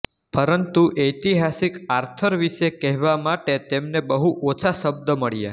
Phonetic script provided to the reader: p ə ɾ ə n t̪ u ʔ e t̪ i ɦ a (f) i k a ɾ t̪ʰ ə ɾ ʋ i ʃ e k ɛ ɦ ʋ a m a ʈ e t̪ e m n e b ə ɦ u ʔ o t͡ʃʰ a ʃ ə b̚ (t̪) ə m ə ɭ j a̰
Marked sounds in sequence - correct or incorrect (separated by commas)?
incorrect, incorrect